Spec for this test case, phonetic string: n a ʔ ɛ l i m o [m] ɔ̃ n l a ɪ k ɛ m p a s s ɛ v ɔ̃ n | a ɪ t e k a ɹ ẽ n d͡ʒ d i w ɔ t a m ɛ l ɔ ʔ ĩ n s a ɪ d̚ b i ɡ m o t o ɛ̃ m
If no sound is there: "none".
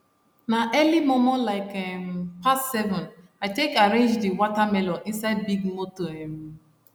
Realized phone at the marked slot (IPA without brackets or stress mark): m